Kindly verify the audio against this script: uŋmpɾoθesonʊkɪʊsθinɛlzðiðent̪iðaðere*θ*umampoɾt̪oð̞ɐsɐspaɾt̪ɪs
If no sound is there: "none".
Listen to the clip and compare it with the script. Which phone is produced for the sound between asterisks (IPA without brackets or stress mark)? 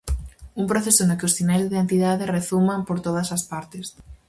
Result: θ